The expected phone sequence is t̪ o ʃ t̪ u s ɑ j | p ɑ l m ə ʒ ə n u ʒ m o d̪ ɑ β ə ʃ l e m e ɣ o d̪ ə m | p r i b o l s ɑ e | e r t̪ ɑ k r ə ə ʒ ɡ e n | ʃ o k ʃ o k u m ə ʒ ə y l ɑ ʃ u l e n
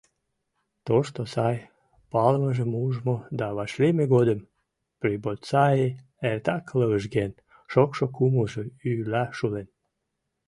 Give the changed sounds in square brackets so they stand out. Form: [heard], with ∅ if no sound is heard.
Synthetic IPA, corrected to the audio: t̪ o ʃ t̪ [o] s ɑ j | p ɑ l m ə ʒ ə [m] u ʒ m o d̪ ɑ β [ɑ] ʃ l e m e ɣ o d̪ ə m | p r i b o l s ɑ e | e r t̪ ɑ k [l] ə ə ʒ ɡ e n | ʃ o k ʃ o k u m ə ʒ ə y l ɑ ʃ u l e n